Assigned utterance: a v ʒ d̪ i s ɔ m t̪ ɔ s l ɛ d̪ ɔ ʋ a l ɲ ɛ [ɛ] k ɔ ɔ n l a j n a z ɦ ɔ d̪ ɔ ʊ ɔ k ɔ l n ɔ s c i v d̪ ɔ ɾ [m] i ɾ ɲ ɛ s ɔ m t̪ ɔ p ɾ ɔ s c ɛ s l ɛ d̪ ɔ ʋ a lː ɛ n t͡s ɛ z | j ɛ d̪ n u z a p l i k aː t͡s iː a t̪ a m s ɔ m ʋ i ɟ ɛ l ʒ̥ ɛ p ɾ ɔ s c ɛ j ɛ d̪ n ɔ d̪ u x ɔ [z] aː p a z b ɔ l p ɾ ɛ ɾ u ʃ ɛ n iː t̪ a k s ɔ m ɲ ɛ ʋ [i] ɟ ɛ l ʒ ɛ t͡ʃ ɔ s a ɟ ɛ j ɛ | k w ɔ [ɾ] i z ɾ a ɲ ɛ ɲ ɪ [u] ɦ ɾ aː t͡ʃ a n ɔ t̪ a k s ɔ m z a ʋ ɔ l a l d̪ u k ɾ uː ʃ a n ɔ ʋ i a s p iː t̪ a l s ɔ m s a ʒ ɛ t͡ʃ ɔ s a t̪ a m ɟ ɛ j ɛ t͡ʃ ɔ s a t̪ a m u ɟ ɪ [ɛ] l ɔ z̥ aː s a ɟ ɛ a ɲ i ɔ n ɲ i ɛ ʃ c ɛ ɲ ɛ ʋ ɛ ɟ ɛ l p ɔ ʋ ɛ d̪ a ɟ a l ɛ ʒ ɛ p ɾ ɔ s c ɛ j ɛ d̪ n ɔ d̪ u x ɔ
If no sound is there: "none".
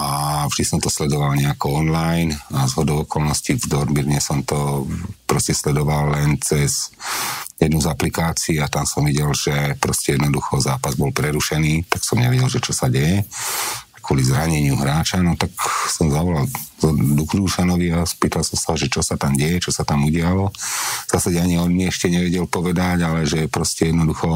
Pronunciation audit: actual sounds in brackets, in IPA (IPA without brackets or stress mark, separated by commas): a, m, z, ɛ, l, u, a